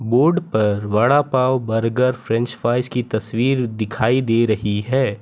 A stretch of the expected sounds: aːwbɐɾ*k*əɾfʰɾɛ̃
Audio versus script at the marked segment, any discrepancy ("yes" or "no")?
yes